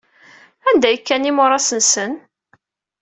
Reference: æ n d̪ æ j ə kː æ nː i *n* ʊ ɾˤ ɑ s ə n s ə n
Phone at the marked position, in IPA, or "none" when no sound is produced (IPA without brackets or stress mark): m